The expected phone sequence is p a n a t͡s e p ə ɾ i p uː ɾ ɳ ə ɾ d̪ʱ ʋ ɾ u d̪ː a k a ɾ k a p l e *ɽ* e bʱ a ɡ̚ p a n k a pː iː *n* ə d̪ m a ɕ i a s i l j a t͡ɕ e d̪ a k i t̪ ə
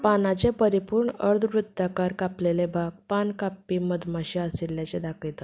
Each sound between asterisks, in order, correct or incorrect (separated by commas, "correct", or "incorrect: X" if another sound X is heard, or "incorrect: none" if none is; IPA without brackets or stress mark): incorrect: l, incorrect: m